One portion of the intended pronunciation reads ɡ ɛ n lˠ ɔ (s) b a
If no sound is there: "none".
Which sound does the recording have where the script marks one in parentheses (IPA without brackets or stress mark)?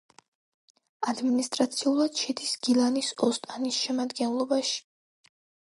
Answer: none